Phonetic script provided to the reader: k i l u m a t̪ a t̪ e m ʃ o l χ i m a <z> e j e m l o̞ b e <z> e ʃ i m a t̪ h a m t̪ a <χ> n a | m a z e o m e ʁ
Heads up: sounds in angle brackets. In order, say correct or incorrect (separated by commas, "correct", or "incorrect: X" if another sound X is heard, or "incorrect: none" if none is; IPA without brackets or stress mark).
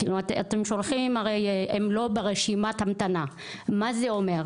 incorrect: ʁ, incorrect: ʁ, incorrect: none